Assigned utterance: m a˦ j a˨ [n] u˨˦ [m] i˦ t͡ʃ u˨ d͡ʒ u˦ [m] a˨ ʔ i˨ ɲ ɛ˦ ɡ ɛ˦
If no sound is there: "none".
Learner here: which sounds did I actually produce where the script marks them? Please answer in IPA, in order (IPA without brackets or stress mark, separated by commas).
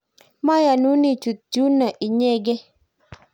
n, n, n